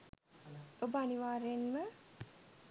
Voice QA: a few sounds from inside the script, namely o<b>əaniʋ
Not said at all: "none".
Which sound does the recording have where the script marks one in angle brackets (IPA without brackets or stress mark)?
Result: b